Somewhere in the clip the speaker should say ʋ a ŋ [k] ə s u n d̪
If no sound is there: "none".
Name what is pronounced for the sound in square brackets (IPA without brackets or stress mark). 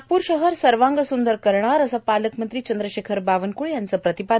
ɡ